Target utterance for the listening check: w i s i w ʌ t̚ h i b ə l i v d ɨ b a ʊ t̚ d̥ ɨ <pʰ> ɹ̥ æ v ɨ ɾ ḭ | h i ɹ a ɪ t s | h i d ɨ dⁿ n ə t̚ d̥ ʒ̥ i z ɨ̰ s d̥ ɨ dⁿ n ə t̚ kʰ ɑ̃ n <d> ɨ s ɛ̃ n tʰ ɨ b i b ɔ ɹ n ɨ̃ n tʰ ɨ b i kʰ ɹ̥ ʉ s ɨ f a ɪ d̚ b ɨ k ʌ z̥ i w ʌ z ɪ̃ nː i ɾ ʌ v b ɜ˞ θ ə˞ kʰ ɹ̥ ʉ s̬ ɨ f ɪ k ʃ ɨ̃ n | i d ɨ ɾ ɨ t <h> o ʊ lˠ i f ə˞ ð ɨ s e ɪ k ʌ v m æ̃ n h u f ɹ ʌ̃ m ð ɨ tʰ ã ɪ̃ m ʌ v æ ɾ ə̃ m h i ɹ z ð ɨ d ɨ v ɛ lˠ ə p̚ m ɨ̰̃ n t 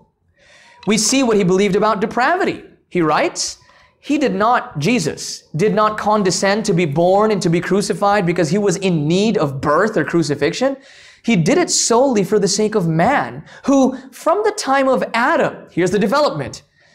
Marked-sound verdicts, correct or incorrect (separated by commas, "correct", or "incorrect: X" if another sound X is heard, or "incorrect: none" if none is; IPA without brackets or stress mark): correct, correct, incorrect: s